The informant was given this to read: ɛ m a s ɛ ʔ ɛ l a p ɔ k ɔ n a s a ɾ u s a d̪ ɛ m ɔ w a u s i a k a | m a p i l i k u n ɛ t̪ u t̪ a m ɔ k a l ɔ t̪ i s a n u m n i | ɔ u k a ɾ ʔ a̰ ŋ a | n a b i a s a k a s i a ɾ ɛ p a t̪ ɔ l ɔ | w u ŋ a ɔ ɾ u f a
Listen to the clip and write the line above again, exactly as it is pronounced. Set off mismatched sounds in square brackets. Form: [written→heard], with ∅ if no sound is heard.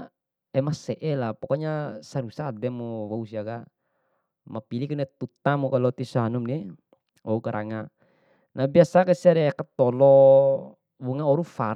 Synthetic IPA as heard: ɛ m a s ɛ ʔ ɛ l a p ɔ k ɔ [n→ɲ] a s a ɾ u s a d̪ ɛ m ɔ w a u s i a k a | m a p i l i k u n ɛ t̪ u t̪ a m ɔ k a l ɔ t̪ i s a n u m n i | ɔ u k a ɾ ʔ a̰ ŋ a | n a b i a s a k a s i a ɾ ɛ [p→k] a t̪ ɔ l ɔ | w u ŋ a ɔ ɾ u f a